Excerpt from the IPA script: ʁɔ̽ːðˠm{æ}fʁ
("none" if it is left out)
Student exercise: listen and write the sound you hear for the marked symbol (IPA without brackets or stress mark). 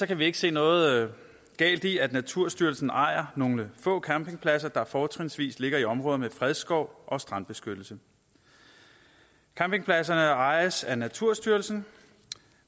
e